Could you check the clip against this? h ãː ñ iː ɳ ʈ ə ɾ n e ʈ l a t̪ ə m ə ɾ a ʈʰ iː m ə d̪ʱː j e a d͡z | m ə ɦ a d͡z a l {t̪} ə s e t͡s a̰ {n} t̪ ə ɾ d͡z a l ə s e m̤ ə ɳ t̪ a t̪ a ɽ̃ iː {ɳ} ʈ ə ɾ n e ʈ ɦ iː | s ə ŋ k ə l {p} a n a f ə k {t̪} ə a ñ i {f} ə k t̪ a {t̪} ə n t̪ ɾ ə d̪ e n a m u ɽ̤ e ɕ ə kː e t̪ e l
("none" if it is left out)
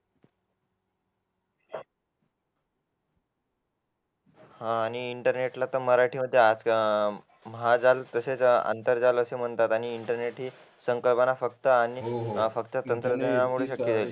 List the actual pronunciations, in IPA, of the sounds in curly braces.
t̪, n, ɳ, p, t̪, f, t̪

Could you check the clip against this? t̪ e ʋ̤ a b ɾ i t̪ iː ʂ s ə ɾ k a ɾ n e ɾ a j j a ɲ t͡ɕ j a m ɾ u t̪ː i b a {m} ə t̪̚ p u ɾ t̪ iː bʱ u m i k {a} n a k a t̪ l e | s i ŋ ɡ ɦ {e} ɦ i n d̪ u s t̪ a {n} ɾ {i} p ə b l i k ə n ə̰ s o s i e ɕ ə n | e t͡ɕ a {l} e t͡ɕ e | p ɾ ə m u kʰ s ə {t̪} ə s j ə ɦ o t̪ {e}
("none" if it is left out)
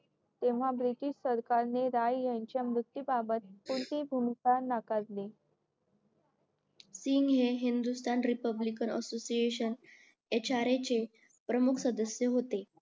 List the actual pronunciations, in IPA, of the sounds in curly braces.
b, a, e, n, i, ɾ, d̪, e

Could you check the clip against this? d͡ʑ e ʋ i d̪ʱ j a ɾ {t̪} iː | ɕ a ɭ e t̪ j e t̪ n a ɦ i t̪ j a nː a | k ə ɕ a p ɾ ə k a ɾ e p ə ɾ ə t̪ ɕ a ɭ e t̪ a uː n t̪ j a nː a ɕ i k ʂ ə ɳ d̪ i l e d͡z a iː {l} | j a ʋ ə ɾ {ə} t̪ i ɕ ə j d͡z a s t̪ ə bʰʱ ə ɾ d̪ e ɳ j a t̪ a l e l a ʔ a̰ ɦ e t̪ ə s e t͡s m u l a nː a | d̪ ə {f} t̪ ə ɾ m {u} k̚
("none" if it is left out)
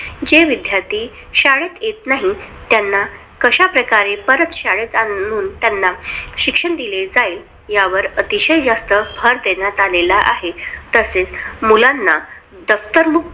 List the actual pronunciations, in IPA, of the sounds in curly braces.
t̪, l, ə, f, u

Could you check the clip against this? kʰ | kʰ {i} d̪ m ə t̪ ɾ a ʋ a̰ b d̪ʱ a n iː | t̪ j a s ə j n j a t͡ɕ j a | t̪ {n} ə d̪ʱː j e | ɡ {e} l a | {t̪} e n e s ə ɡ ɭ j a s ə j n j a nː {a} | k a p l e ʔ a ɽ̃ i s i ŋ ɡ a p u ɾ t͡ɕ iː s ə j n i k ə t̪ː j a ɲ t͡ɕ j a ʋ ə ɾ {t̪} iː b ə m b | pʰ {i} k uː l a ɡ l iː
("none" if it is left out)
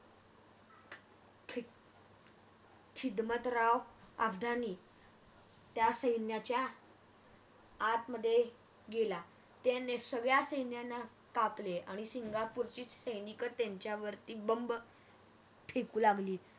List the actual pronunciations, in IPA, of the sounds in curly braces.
i, m, e, t̪, a, t̪, e

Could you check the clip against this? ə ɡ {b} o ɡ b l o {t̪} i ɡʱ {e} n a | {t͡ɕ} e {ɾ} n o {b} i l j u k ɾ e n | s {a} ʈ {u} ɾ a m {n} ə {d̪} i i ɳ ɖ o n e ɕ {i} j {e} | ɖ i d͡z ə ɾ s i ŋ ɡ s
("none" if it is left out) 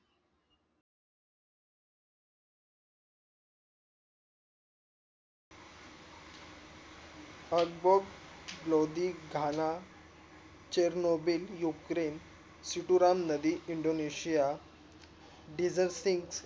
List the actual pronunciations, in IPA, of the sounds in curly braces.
b, d̪, a, t͡ɕ, ɾ, b, i, u, n, d̪, i, a

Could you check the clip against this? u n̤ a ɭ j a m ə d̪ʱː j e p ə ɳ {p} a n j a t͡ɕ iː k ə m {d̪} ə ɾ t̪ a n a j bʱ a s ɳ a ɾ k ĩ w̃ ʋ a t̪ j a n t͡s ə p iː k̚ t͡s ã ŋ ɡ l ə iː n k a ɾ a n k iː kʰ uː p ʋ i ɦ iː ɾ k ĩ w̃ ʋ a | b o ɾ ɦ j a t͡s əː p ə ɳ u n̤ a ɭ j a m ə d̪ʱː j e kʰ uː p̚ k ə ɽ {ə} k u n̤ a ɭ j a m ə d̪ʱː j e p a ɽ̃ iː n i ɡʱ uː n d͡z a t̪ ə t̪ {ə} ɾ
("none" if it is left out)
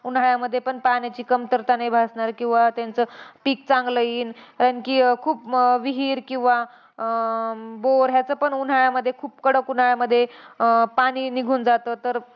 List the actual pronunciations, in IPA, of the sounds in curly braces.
p, t̪, ə, ə

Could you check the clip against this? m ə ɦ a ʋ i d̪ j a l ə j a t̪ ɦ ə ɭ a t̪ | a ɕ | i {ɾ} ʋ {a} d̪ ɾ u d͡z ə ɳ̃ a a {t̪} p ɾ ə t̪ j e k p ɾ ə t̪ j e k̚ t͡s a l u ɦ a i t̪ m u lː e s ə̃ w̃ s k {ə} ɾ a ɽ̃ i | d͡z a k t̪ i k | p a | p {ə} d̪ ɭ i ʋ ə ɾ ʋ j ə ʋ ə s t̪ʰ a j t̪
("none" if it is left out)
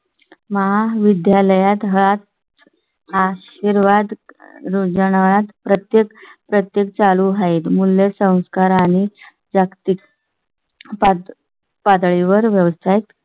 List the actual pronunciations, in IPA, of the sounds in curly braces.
ɾ, a, t̪, a, a

